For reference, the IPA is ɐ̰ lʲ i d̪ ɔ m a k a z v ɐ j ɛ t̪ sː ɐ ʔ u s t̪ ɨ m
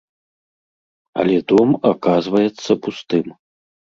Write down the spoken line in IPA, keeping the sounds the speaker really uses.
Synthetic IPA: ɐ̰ lʲ ɛ d̪ ɔ m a k a z v ɐ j ɛ t̪ sː ɐ p u s t̪ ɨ m